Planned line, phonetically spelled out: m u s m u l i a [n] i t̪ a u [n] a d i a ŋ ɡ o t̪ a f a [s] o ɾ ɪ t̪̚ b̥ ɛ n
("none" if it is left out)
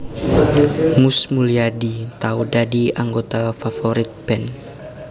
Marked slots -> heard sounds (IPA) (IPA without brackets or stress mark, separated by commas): d, d, f